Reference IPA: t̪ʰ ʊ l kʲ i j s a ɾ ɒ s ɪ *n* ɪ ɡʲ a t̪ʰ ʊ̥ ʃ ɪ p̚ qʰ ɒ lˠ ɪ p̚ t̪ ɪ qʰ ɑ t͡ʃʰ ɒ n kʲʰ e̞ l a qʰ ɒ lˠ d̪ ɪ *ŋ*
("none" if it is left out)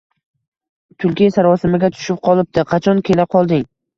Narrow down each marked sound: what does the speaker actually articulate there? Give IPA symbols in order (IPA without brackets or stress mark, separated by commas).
m, ŋ